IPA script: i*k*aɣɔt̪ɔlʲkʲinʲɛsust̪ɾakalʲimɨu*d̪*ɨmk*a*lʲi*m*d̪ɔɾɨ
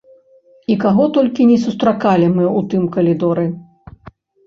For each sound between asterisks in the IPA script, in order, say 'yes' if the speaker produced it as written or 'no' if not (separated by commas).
yes, no, no, no